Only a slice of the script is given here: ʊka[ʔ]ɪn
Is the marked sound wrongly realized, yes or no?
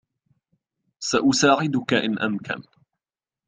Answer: no